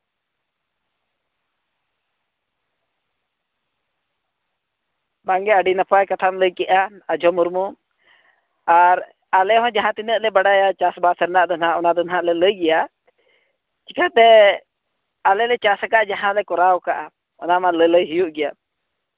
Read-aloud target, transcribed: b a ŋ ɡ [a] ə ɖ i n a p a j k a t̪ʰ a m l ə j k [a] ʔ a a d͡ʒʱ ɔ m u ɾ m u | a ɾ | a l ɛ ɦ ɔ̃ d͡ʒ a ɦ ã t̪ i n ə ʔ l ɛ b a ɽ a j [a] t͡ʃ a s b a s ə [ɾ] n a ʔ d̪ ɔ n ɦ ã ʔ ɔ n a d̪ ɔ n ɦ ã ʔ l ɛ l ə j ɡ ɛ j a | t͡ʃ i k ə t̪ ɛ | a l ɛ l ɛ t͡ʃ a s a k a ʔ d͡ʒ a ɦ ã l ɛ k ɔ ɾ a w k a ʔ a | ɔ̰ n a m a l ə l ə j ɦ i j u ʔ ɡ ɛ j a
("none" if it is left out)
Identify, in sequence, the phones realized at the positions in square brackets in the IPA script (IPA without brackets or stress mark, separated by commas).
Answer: ɛ, ɛ, a, ɾ